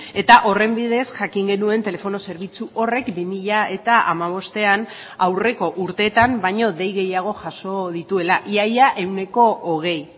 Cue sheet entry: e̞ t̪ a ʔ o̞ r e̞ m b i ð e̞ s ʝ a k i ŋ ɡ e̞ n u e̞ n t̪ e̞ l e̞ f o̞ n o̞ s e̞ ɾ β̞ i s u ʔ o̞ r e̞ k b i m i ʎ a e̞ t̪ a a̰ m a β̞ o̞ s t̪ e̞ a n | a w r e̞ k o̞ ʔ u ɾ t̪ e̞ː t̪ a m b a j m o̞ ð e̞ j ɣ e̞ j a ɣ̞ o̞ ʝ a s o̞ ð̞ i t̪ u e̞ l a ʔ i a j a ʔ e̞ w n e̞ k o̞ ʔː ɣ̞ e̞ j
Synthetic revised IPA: e̞ t̪ a ʔ o̞ r e̞ m b i ð e̞ s ʝ a k i ŋ ɡ e̞ n u e̞ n t̪ e̞ l e̞ f o̞ n o̞ s e̞ ɾ β̞ i t͡s u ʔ o̞ r e̞ k b i m i ʎ a e̞ t̪ a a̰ m a β̞ o̞ s t̪ e̞ a n | a w r e̞ k o̞ ʔ u ɾ t̪ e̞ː t̪ a m b a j ɲ o̞ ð e̞ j ɣ e̞ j a ɣ̞ o̞ ʝ a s o̞ ð̞ i t̪ u e̞ l a ʔ i a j a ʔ e̞ w n e̞ k o̞ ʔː ɣ̞ e̞ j